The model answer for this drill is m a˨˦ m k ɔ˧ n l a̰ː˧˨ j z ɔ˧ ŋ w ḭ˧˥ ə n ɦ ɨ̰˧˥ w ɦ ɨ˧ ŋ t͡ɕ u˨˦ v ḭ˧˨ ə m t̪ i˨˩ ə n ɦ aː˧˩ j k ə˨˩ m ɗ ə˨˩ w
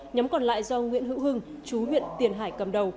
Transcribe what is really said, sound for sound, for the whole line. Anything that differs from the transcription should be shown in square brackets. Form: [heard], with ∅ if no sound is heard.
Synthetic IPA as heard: [ɲ] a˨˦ m k [ɔ˨˩] n l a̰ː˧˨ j z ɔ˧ ŋ w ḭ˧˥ ə n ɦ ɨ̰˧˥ w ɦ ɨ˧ ŋ t͡ɕ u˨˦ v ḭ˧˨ ə [n] t̪ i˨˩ ə n ɦ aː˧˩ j k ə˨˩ m ɗ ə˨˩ w